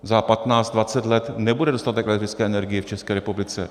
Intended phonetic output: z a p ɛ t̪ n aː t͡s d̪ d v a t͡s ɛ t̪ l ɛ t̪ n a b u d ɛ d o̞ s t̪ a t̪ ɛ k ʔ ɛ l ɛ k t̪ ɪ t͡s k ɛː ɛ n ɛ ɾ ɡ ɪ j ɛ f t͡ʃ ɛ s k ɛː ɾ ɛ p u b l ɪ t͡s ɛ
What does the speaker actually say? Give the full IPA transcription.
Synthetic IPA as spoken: z a p a t̪ n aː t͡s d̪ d v a t͡s ɛ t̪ l ɛ t̪ n ɛ b u d ɛ d o̞ s t̪ a t̪ ɛ k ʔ ɛ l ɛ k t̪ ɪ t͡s k ɛː ɛ n ɛ ɾ ɡ ɪ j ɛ f t͡ʃ ɛ s k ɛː ɾ ɛ p u b l ɪ t͡s ɛ